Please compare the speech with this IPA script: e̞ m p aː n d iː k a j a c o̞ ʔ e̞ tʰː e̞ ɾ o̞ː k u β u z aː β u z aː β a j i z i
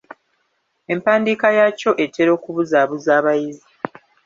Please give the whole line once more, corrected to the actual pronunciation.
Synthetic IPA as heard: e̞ m p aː n d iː k a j a c o̞ ʔ e̞ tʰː e̞ ɾ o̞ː k u β u z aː β u z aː β a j i z i